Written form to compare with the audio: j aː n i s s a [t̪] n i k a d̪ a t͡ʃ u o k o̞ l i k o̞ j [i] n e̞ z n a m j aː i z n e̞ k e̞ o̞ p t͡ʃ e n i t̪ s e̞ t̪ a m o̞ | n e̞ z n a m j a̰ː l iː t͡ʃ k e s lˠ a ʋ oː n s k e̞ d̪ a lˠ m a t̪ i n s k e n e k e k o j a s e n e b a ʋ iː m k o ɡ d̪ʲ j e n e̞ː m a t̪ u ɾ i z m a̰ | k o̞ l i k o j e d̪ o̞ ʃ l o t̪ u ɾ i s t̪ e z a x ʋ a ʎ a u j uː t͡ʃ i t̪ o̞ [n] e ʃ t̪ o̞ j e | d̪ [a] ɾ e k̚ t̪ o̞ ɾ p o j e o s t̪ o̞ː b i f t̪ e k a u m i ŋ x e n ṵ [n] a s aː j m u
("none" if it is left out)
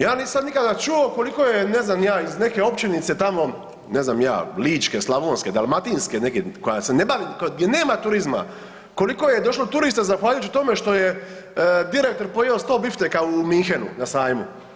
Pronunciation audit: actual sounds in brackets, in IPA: d̪, e, m, i, n

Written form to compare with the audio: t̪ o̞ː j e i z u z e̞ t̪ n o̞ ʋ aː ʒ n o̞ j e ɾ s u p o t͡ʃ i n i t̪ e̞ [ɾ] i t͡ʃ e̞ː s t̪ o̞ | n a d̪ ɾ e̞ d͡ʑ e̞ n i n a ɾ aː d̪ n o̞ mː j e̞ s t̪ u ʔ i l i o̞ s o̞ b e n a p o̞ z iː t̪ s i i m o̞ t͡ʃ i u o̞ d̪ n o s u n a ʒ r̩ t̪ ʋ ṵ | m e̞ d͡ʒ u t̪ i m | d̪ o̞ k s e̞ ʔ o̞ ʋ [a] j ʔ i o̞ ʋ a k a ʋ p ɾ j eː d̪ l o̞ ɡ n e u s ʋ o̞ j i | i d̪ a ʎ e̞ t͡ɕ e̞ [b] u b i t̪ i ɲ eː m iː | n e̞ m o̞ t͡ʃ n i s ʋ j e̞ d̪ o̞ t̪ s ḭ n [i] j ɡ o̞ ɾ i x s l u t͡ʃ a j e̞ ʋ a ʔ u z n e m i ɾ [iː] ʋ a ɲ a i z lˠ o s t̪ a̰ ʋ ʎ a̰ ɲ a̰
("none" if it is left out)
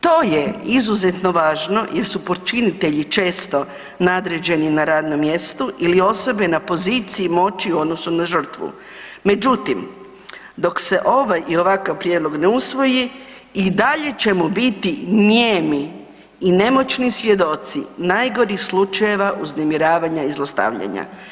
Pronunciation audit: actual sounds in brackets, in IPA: ʎ, a, m, a, aː

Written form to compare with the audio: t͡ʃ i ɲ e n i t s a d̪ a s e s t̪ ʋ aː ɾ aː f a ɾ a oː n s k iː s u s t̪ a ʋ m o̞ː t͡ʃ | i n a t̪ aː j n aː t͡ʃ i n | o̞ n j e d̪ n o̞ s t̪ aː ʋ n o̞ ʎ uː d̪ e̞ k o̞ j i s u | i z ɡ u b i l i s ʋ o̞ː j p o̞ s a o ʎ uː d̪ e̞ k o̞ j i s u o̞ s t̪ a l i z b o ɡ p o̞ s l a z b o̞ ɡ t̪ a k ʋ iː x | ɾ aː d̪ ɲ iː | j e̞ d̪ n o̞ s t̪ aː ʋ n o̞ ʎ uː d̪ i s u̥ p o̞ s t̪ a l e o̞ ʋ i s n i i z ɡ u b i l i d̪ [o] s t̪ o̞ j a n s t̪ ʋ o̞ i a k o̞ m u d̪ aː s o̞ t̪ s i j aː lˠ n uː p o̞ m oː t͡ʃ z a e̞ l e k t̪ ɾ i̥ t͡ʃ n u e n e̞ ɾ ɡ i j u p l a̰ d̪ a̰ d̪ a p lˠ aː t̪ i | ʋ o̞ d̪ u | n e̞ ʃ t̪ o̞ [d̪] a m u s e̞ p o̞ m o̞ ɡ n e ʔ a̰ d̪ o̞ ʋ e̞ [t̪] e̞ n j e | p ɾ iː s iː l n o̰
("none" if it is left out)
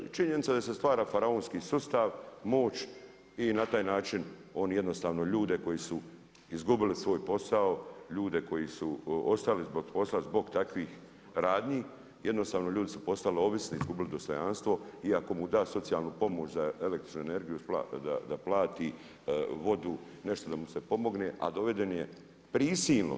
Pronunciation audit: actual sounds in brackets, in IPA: o, d̪, d̪

